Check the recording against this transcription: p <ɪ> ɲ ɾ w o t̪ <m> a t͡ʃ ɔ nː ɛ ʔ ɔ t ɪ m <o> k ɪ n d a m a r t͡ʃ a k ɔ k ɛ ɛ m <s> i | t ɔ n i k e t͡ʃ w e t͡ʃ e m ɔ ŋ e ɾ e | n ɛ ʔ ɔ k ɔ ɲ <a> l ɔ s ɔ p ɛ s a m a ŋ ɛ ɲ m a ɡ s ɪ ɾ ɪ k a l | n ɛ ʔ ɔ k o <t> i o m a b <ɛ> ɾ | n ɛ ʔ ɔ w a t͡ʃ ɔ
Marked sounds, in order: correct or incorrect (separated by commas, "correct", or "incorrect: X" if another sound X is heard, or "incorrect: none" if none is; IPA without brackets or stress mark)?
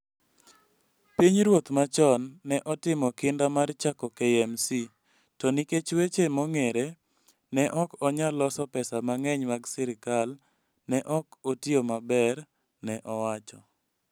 incorrect: i, correct, incorrect: ɔ, correct, correct, correct, correct